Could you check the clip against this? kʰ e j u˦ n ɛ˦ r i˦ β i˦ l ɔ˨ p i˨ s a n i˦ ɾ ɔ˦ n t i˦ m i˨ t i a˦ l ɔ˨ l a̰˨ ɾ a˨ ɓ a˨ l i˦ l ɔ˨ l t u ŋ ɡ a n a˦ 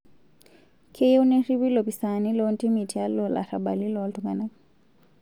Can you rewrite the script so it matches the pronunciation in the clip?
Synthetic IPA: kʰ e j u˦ n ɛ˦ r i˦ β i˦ l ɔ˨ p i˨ s a n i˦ l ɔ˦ n t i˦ m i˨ t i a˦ l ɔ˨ l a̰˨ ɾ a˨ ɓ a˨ l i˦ l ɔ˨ l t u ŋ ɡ a n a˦

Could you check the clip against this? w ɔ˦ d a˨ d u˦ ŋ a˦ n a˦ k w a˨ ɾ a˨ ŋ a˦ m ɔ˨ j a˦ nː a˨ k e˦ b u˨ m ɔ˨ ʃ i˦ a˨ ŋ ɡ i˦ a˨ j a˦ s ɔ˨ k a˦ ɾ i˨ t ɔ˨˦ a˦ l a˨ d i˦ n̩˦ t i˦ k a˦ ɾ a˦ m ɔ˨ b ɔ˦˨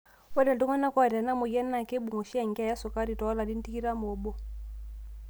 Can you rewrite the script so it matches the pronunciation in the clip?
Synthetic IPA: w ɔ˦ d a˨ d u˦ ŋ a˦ n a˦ k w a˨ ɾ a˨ n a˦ m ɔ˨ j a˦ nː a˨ k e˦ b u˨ ŋ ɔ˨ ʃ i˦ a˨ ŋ ɡ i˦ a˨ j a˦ s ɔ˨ k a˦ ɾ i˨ t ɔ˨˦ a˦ l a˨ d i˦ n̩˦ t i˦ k i˦ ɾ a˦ m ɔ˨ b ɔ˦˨

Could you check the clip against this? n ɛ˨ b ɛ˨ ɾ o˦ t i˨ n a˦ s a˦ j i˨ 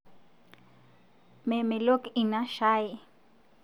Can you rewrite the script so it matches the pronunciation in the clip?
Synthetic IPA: m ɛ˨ m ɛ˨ l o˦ k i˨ n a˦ ʃ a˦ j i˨

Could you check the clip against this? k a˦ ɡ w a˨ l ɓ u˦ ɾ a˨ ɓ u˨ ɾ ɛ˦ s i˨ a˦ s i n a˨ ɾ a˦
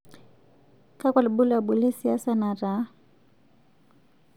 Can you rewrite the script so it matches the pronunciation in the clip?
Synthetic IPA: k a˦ k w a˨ l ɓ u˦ l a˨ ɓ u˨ l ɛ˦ s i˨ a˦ s a n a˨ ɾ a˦

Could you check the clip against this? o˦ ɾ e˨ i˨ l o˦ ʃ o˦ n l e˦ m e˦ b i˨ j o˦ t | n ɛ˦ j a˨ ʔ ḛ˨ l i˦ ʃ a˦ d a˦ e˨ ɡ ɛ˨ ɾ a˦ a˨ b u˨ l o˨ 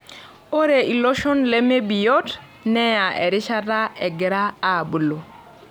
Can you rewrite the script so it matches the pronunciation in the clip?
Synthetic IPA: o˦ ɾ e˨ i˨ l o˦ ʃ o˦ n l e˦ m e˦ b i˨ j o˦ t | n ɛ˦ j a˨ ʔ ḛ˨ ɾ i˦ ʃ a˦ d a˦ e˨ ɡ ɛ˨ ɾ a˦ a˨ b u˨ l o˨

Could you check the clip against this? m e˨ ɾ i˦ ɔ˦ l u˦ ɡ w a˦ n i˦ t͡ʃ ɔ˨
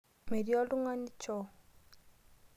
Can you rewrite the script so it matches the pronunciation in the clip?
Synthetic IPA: m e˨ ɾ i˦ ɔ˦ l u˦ ŋ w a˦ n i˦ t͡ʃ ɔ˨

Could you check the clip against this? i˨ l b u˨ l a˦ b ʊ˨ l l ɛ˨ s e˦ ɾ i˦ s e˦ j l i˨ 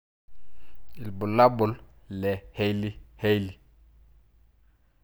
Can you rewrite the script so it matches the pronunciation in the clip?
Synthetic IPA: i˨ l b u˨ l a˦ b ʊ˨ l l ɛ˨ h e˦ l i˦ h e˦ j l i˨

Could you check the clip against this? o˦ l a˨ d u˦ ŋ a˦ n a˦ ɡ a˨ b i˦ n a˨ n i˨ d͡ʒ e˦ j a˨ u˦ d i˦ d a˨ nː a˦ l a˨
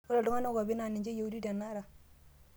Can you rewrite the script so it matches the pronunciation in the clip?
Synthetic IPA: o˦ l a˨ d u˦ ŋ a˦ n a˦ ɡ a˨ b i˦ n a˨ n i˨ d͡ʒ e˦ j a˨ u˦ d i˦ d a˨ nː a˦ ɾ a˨

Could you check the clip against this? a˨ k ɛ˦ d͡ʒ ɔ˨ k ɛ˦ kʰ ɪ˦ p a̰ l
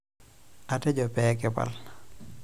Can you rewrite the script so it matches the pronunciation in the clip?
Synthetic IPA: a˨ t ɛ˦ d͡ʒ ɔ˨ p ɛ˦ k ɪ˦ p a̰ l

